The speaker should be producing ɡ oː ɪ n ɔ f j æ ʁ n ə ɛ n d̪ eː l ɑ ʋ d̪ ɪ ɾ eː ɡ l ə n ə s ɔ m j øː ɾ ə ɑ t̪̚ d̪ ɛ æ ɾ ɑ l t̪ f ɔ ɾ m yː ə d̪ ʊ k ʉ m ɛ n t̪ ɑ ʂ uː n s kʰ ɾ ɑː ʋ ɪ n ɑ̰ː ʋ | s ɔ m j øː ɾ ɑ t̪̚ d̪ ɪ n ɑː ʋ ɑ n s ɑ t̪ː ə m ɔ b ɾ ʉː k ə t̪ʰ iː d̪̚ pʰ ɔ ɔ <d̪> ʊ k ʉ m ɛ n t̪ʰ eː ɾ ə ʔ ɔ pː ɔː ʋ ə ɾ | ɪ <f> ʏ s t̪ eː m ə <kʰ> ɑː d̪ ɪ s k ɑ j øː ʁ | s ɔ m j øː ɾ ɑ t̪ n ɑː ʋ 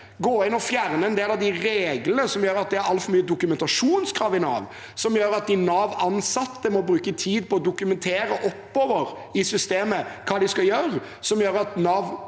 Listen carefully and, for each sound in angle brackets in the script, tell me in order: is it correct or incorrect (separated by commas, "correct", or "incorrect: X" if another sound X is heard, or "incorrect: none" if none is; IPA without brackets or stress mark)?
correct, incorrect: s, correct